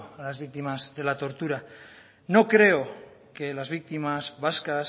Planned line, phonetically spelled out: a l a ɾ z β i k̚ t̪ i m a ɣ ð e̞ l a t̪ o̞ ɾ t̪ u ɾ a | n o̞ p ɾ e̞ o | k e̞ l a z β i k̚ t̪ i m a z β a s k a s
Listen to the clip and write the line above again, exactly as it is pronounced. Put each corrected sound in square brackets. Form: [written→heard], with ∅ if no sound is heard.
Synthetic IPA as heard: a l a [ɾ→∅] z β i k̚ t̪ i m a [ɣ→z] ð e̞ l a t̪ o̞ ɾ t̪ u ɾ a | n o̞ [p→k] ɾ e̞ o | k e̞ l a z β i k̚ t̪ i m a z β a s k a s